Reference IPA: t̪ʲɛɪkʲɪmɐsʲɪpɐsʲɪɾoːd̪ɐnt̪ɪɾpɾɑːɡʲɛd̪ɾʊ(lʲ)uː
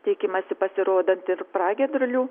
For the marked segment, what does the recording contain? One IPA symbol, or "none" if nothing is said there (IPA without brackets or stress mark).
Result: lʲ